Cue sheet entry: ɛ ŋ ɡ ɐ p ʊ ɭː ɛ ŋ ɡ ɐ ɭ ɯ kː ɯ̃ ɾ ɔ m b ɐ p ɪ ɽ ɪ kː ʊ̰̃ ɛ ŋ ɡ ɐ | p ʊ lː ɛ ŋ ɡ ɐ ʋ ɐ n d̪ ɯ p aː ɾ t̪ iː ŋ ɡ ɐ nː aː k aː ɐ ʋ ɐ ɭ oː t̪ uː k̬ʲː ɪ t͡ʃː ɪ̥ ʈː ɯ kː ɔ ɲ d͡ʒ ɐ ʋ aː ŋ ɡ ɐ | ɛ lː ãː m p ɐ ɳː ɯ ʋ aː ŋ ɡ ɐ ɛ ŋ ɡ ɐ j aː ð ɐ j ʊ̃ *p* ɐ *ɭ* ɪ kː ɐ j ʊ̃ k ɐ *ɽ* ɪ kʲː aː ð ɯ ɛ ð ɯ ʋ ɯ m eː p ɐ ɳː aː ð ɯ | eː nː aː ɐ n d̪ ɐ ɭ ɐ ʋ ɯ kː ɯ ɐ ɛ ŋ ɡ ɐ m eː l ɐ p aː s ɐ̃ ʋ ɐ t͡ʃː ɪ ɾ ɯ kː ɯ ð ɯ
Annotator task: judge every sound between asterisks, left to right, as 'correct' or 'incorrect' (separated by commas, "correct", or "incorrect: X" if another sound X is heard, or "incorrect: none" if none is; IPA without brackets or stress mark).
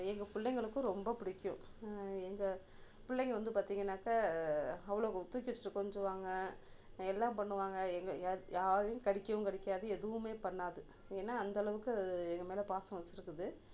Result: incorrect: k, incorrect: ɽ, correct